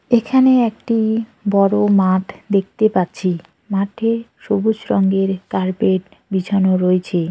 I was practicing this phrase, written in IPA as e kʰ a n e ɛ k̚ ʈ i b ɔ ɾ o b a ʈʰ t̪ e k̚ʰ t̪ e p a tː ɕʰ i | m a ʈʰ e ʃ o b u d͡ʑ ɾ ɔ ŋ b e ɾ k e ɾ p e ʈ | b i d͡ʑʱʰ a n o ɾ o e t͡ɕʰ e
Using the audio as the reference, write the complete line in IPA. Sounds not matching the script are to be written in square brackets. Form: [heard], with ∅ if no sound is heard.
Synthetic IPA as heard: e kʰ a n e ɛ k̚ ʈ i b ɔ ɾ o [m] a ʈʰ [d̪] e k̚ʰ t̪ e p a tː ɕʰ i | m a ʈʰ e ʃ o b u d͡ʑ ɾ ɔ ŋ [ɡ] e ɾ k [a] ɾ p e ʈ | b i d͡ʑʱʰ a n o ɾ o e t͡ɕʰ e